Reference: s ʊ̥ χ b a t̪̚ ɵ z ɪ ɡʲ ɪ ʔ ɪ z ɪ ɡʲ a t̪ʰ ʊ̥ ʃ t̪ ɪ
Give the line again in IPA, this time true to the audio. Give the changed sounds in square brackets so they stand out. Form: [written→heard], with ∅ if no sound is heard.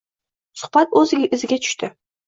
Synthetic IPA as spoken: s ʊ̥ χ b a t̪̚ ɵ z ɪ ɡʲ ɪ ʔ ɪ z ɪ ɡʲ a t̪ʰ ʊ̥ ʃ t̪ ɪ